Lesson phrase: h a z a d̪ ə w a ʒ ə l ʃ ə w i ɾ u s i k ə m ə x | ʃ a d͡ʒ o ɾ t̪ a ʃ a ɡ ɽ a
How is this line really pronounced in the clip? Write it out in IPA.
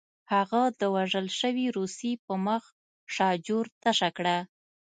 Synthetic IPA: h a ɣ a d̪ ə w a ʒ ə l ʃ ə w i ɾ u s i p ə m ə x | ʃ ɑ d͡ʒ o ɾ t̪ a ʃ a k ɽ a